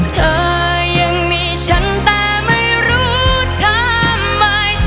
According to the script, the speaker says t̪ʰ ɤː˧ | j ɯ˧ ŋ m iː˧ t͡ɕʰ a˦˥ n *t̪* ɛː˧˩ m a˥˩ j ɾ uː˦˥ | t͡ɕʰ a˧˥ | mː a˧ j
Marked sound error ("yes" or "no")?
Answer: no